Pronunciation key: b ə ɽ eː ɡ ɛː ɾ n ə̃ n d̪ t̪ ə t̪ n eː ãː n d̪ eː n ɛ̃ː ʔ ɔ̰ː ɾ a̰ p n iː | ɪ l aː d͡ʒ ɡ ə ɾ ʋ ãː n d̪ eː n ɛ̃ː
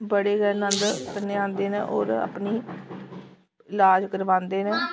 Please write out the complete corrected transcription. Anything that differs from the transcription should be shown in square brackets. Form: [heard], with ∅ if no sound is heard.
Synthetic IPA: b ə ɽ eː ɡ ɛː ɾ n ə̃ n d̪ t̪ ə [∅] n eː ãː n d̪ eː n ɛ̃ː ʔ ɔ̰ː ɾ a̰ p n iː | ɪ l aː d͡ʒ [k] ə ɾ ʋ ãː n d̪ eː n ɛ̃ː